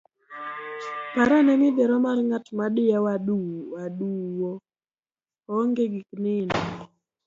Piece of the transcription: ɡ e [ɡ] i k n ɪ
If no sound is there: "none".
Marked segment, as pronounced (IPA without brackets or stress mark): ɡ